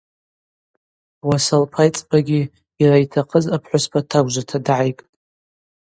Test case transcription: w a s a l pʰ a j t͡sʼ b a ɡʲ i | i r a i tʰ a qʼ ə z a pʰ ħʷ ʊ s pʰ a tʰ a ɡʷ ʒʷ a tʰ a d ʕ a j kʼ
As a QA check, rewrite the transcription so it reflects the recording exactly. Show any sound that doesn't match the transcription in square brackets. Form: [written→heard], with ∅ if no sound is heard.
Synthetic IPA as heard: w a s a l pʰ a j t͡sʼ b a ɡʲ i | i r a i tʰ a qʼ ə z a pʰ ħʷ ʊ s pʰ a tʰ a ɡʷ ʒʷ a tʰ a d ʕ a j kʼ